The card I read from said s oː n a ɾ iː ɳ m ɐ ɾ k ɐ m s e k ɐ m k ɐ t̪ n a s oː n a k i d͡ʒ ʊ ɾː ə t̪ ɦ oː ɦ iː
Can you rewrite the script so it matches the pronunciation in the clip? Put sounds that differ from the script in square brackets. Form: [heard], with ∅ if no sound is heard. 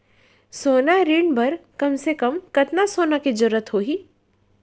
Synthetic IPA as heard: s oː n a ɾ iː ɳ [b] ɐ ɾ k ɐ m s e k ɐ m k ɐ t̪ n a s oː n a k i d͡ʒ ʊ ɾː ə t̪ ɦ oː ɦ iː